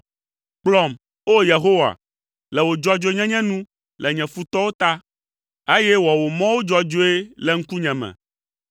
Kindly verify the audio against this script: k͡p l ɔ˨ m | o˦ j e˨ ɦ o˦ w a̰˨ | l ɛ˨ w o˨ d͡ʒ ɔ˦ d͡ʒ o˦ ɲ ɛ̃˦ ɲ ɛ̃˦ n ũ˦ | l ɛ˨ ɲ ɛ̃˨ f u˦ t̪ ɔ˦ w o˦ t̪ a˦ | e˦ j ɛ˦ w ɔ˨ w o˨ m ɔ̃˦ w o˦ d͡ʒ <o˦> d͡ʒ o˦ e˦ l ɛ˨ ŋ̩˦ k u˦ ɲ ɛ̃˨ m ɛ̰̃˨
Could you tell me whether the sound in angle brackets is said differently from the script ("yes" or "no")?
yes